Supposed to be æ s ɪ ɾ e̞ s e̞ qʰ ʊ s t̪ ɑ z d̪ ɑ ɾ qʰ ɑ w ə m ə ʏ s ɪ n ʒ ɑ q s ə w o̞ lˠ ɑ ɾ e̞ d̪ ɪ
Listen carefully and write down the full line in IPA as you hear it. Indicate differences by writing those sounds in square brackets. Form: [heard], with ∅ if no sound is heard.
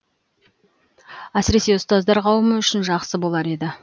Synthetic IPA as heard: æ s ɪ ɾ e̞ s e̞ [∅] ʊ s t̪ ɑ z d̪ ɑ ɾ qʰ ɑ w ə m ə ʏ [ʃ] ɪ n ʒ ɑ q s ə [b] o̞ lˠ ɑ ɾ e̞ d̪ ɪ